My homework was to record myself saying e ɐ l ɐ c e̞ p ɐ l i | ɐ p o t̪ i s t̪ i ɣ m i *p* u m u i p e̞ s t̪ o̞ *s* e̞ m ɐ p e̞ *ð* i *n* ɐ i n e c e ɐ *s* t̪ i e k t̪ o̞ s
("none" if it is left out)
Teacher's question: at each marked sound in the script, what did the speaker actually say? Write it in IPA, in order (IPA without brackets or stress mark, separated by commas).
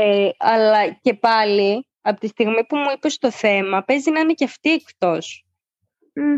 p, θ, z, n, f